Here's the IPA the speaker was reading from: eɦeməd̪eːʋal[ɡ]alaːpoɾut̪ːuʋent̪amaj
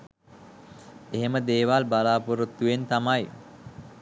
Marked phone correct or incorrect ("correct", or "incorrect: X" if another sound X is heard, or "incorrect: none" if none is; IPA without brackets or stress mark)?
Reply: incorrect: b